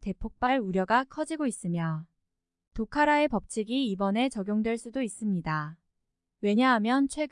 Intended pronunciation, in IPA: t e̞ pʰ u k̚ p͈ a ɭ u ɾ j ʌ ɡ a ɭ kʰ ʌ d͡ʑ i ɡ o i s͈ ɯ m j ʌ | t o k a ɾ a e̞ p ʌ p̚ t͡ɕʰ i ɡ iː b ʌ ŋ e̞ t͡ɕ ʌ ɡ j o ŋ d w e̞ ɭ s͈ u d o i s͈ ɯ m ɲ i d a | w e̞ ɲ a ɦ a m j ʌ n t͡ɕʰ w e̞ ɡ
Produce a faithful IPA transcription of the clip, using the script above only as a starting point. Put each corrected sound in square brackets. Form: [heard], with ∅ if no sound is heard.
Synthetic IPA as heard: t e̞ pʰ [o] k̚ p͈ a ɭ u ɾ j ʌ ɡ a [∅] kʰ ʌ d͡ʑ i ɡ o i s͈ ɯ m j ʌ | t o [kʰ] a ɾ a e̞ p ʌ p̚ t͡ɕʰ i ɡ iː b ʌ [n] e̞ t͡ɕ ʌ ɡ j o ŋ d w e̞ ɭ s͈ u d o i s͈ ɯ m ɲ i d a | w e̞ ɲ a ɦ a m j ʌ n t͡ɕʰ w e̞ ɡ